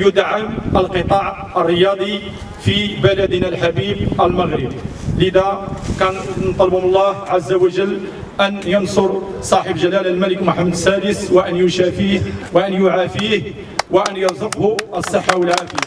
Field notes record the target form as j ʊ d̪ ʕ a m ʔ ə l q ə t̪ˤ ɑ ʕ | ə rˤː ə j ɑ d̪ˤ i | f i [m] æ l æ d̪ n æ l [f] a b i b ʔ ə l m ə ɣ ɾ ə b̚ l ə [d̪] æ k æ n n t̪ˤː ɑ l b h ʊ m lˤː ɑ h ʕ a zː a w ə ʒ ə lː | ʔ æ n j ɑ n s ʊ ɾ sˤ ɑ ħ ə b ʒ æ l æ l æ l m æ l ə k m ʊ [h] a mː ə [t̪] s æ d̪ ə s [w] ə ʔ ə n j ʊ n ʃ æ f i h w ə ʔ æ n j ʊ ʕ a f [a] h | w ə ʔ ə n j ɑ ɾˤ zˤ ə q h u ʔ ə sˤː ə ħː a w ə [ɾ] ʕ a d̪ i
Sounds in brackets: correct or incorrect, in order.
incorrect: b, incorrect: ħ, correct, incorrect: ħ, incorrect: d̪, correct, incorrect: i, incorrect: l

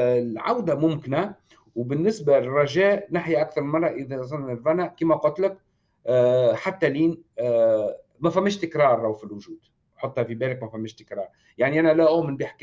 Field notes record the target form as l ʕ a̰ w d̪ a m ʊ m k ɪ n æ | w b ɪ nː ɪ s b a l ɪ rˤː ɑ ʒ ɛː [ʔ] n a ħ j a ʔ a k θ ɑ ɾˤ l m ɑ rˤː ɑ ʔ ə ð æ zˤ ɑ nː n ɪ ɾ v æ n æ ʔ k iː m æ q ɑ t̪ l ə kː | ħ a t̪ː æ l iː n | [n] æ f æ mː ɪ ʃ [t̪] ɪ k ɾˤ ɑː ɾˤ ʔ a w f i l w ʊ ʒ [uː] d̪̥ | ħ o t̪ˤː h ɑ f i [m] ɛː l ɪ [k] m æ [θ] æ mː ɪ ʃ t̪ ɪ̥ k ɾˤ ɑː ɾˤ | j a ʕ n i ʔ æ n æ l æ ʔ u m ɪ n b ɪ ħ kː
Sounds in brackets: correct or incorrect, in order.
correct, incorrect: m, correct, correct, incorrect: b, correct, incorrect: f

